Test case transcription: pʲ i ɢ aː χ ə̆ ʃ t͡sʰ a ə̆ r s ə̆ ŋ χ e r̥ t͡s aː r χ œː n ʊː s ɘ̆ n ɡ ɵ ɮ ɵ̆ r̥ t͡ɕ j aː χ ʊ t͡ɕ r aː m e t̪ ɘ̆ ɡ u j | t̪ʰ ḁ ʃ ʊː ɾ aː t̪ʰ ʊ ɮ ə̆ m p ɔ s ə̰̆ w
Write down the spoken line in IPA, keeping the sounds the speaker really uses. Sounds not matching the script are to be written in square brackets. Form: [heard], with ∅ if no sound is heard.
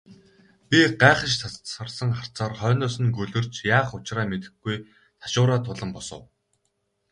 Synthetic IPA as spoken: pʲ i ɢ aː χ ə̆ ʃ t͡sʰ a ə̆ r s ə̆ ŋ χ [a] r̥ t͡s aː r χ œː n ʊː s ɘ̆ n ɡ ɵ ɮ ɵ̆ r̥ t͡ɕ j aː χ ʊ t͡ɕ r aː m e t̪ ɘ̆ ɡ u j | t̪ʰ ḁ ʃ ʊː ɾ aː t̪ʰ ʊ ɮ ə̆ m p ɔ s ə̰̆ w